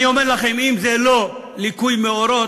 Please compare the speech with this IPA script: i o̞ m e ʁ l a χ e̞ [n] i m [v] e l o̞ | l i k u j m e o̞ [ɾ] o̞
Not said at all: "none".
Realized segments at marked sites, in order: m, z, ɾ

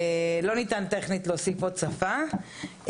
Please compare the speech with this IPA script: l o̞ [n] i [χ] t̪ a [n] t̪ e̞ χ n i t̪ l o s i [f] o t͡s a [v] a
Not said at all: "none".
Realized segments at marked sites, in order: n, none, n, f, f

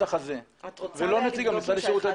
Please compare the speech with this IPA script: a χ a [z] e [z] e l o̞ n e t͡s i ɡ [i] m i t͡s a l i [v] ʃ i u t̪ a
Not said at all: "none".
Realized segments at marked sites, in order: z, v, a, none

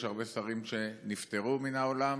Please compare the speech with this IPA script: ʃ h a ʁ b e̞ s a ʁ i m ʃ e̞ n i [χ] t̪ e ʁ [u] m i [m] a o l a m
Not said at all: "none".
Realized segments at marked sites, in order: f, u, n

